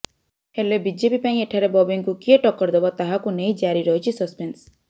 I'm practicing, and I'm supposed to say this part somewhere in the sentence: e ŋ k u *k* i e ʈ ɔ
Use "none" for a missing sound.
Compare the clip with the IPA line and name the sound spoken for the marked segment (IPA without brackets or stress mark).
k